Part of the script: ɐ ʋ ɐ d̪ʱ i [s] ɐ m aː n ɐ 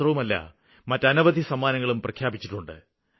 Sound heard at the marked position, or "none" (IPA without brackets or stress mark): s